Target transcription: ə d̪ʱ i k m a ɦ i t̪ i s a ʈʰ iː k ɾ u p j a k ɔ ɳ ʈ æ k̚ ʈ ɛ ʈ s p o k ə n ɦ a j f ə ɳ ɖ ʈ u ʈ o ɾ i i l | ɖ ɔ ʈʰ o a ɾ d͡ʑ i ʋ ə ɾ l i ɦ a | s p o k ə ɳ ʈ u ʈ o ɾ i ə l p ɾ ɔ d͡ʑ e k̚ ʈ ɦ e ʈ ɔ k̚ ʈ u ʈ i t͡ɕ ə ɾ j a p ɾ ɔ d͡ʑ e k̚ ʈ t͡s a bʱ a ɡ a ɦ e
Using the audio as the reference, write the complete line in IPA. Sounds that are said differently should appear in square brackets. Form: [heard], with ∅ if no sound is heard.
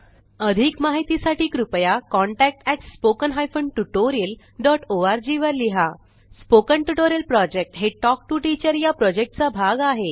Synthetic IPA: ə d̪ʱ i k m a ɦ i t̪ i s a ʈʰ iː k ɾ u p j a k ɔ ɳ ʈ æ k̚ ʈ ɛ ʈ s p o k ə n ɦ a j f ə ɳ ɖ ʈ u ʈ o ɾ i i l | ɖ ɔ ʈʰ o a ɾ d͡ʑ i ʋ ə ɾ l i ɦ a | s p o k ə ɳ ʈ u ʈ o ɾ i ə l p ɾ ɔ d͡ʑ e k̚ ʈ ɦ e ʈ ɔ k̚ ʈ u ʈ i t͡ɕ ə ɾ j a p ɾ ɔ d͡ʑ e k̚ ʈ t͡s a bʱ a ɡ a ɦ e